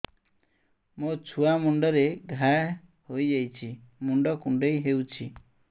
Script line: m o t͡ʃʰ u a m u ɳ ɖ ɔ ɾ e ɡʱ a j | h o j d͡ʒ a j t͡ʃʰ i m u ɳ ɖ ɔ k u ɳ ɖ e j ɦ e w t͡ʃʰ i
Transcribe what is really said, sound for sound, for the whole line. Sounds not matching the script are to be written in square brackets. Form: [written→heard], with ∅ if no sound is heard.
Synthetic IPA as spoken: m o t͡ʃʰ u a m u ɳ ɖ ɔ ɾ e ɡʱ a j | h o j d͡ʒ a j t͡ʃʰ i m u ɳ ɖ ɔ k u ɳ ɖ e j ɦ e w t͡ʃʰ i